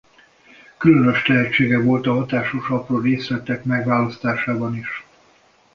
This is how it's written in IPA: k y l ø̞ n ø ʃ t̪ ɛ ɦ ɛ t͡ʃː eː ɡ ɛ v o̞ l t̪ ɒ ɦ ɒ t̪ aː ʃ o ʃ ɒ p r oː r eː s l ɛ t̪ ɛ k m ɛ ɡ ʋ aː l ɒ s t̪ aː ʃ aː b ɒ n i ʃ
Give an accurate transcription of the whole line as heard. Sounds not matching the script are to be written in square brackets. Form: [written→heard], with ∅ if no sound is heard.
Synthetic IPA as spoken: k y l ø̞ n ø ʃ t̪ ɛ ɦ ɛ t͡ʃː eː ɡ ɛ v o̞ l t̪ ɒ ɦ ɒ t̪ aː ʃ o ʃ ɒ p r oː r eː s l ɛ t̪ ɛ k m ɛ ɡ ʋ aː l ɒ s t̪ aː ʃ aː b ɒ n i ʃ